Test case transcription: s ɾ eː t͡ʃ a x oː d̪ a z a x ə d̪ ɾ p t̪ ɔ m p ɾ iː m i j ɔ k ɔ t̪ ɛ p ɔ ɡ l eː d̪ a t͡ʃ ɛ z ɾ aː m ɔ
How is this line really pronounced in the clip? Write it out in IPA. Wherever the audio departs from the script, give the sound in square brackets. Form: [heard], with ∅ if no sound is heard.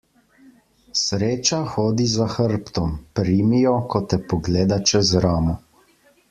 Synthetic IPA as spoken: s ɾ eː t͡ʃ a x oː d̪ [i] z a x ə [∅] ɾ p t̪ ɔ m p ɾ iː m i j ɔ k ɔ t̪ ɛ p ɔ ɡ l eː d̪ a t͡ʃ ɛ z ɾ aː m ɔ